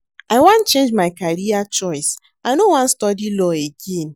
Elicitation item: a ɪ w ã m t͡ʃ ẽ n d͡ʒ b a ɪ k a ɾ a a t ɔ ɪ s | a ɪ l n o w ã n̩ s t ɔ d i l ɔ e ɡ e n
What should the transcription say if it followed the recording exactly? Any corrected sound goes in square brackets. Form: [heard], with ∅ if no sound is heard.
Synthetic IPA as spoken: a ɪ w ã [n] t͡ʃ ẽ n d͡ʒ [m] a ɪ k a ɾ [i] a [t͡ʃ] ɔ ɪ s | a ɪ [∅] n o w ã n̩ s t ɔ d i l ɔ e ɡ e n